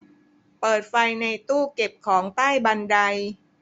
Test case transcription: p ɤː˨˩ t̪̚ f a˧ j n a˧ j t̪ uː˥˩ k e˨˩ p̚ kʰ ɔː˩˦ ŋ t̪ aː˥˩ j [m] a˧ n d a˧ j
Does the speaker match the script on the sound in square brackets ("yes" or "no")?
no